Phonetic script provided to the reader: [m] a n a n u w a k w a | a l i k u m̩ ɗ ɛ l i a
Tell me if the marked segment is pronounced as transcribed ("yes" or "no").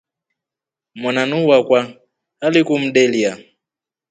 yes